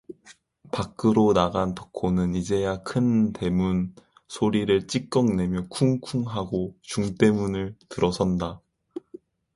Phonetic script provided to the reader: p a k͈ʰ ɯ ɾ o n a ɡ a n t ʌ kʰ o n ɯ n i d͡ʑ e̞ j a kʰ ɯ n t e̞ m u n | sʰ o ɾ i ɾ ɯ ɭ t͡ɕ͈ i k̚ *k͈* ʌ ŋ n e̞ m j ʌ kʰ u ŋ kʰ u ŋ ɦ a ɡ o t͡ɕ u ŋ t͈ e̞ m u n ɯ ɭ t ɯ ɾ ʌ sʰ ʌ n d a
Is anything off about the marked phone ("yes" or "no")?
no